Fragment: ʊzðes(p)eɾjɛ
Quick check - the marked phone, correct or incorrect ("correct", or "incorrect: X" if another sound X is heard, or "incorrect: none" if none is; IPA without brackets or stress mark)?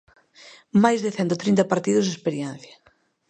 correct